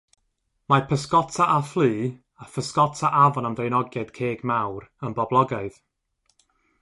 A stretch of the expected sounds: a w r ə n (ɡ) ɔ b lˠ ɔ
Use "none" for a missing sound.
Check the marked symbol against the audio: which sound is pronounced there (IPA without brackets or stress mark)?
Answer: b